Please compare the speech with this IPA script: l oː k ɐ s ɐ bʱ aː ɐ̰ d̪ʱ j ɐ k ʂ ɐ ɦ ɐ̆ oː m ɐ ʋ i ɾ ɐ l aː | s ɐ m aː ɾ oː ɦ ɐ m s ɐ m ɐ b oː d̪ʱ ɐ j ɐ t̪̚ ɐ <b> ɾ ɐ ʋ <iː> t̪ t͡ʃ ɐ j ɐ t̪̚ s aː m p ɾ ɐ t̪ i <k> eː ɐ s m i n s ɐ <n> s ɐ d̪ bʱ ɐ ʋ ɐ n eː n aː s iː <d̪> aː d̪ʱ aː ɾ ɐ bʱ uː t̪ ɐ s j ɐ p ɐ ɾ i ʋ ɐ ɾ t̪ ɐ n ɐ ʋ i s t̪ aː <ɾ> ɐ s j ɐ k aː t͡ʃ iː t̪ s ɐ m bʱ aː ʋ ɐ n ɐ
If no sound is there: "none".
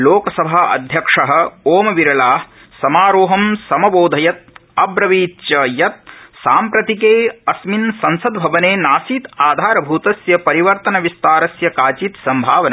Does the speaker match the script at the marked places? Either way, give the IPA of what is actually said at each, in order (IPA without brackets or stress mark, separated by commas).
b, iː, k, n, t̪, ɾ